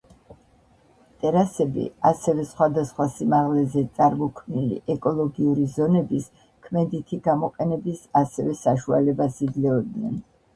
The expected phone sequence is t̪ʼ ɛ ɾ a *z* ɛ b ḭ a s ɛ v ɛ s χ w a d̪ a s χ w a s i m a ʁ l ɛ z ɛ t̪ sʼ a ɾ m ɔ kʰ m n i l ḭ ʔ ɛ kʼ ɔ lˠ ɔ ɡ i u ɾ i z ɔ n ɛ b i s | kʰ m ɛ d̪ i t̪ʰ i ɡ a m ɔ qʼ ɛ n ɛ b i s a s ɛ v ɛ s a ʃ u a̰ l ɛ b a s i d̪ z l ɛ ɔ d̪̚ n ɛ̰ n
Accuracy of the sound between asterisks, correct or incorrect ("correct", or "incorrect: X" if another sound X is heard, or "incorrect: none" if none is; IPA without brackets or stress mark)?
incorrect: s